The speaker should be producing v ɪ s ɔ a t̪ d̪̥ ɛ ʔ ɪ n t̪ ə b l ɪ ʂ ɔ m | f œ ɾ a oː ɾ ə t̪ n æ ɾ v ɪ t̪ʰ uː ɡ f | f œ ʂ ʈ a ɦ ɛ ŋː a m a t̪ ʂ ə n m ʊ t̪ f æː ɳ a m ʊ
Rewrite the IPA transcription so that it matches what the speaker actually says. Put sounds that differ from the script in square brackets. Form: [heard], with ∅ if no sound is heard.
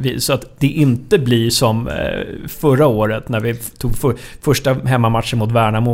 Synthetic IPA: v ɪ s ɔ a t̪ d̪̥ ɛ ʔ ɪ n t̪ ə b l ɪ ʂ ɔ m | f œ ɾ a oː ɾ ə t̪ n æ ɾ v ɪ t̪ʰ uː ɡ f | f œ ʂ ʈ a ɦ ɛ [mː] a m a t̪ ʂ ə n m ʊ t̪ [v] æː ɳ a m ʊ